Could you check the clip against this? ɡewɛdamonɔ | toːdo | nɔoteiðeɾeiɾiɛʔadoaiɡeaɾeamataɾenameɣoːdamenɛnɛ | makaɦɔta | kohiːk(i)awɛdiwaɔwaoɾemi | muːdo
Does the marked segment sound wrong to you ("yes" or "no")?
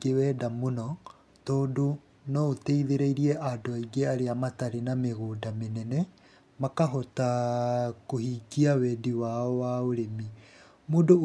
no